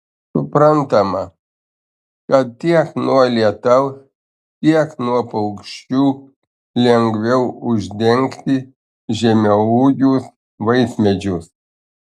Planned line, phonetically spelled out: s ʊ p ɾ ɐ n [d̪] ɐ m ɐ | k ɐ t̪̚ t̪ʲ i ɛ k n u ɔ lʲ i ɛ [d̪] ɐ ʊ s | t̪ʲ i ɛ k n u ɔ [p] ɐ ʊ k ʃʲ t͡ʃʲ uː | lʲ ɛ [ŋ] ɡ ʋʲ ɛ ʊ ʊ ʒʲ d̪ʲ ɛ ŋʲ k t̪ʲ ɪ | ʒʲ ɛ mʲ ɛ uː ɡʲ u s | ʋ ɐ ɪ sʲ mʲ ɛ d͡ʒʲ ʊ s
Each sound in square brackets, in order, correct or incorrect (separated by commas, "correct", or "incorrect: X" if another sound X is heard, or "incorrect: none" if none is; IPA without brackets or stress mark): incorrect: t̪, incorrect: t̪, correct, correct